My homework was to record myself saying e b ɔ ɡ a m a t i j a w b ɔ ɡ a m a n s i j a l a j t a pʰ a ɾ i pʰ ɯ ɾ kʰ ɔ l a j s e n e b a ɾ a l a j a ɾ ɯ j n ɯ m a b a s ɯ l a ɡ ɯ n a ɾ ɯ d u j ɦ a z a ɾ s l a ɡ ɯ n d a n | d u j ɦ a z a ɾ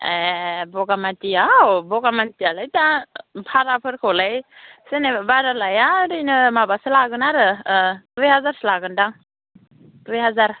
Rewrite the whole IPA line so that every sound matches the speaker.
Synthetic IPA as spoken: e b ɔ ɡ a m a t i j a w b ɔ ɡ a m a n t i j a l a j t a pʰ a ɾ a pʰ ɯ ɾ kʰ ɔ l a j s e n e b a ɾ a l a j a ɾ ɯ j n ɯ m a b a s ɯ l a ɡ ɯ n a ɾ ɯ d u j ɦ a z a ɾ s l a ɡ ɯ n d a ŋ | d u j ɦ a z a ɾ